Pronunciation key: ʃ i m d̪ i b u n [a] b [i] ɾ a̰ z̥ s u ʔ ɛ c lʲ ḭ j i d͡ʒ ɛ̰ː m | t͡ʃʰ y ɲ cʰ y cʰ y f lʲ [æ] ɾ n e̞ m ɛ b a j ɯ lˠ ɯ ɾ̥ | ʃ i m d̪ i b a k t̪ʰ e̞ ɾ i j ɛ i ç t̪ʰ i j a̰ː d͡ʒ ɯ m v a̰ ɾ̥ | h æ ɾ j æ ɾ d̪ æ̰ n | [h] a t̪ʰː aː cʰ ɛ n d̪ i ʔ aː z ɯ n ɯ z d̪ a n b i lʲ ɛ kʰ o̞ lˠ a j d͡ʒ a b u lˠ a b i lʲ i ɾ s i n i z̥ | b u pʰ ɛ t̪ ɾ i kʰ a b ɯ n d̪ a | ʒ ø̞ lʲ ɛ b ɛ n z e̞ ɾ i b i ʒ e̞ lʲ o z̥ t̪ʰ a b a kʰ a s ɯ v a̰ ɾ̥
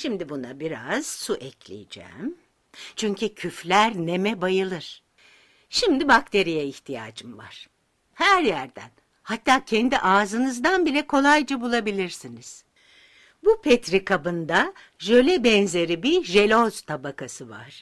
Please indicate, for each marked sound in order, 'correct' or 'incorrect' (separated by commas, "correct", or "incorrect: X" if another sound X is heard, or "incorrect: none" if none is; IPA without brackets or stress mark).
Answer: correct, correct, correct, correct